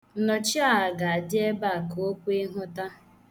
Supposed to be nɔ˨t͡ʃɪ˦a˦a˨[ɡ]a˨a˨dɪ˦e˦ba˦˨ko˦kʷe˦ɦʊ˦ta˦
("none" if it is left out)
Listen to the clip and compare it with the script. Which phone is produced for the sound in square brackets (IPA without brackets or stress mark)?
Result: ɡ